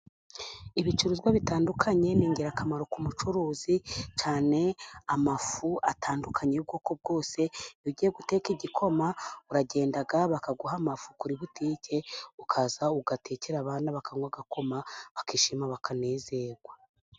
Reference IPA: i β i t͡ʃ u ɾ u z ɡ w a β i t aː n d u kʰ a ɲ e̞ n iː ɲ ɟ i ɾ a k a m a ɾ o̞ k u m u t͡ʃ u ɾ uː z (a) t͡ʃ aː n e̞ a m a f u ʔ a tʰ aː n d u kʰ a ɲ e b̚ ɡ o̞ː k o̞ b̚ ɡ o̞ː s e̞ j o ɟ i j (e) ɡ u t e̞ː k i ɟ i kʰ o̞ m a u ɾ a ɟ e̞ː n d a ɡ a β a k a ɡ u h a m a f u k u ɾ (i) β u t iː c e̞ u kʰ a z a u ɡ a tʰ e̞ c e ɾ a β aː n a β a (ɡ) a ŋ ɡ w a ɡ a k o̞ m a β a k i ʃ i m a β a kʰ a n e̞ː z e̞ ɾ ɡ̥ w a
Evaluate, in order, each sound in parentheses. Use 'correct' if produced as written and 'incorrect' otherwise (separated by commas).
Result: incorrect, correct, correct, incorrect